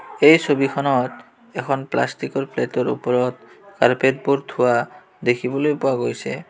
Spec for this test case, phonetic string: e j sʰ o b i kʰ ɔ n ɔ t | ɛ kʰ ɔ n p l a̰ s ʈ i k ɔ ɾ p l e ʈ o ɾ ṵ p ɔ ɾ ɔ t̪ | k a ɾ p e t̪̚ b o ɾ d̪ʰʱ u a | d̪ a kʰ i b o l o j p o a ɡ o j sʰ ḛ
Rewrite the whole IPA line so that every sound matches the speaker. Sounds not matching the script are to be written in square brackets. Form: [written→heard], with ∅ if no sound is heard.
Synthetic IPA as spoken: e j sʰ o b i kʰ ɔ n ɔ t | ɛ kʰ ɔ n p l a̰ s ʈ i k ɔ ɾ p l e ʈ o ɾ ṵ p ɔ ɾ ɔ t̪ | k a ɾ p e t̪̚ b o ɾ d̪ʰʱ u a | d̪ [a→e] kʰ i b o l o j p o a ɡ o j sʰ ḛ